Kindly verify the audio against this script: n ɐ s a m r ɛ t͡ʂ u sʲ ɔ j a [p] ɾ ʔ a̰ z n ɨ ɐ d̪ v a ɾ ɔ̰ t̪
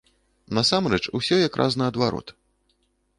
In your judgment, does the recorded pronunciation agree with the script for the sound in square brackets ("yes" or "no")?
no